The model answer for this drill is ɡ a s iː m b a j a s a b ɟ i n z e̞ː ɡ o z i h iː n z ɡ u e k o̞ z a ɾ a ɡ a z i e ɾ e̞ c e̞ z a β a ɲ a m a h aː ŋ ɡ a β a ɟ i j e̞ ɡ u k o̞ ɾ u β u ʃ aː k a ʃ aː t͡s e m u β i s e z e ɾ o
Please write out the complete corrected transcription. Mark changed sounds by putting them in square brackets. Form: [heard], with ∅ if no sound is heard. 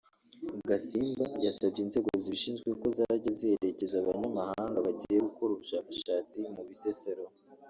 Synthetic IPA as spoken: ɡ a s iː m b a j a s a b ɟ i n z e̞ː ɡ o z i [ʃ] iː n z ɡ [w] e k o̞ z a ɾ a [ɟ] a z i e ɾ e̞ c e̞ z a β a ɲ a m a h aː ŋ ɡ a β a ɟ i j e̞ ɡ u k o̞ ɾ u β u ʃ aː k a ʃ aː t͡s [i] m u β i s e [s] e ɾ o